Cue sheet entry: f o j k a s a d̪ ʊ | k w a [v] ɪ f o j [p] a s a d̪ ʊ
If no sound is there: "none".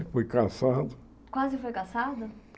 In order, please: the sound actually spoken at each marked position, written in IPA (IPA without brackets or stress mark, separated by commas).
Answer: z, k